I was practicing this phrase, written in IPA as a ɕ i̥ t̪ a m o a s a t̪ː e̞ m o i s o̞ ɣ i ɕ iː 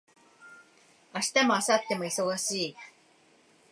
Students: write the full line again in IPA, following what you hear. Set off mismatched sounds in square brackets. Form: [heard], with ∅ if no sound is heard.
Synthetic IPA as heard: a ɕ i̥ t̪ a m o a s a t̪ː e̞ m o i s o̞ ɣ [a] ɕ iː

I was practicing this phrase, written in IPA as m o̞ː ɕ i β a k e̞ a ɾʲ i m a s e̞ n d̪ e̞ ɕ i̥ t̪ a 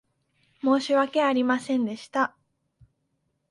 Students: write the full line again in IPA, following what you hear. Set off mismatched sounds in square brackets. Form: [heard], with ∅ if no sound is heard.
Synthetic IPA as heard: m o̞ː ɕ i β a k e̞ a ɾʲ i m a s [ẽ̞] n d̪ e̞ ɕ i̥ t̪ a

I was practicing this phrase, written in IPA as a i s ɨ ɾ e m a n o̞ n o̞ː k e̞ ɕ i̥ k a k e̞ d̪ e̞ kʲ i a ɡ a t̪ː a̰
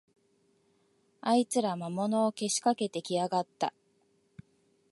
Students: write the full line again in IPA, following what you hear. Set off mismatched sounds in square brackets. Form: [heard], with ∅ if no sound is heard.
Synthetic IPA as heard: a i [t͡s] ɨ ɾ [a] m a [m] o̞ n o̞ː k e̞ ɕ i̥ k a k e̞ [t̪] e̞ kʲ i a ɡ a t̪ː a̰

